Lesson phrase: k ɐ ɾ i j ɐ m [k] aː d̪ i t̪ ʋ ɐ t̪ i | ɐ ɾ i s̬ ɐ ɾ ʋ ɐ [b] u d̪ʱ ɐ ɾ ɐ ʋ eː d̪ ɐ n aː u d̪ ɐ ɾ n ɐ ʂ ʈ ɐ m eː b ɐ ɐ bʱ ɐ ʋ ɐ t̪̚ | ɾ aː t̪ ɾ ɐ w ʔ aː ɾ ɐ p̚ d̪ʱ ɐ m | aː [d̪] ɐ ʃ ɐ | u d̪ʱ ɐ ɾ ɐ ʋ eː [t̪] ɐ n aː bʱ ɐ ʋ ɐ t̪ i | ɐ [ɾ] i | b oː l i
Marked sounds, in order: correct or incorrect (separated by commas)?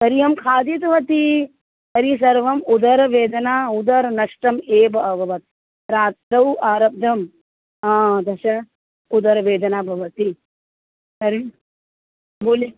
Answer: incorrect, incorrect, correct, incorrect, correct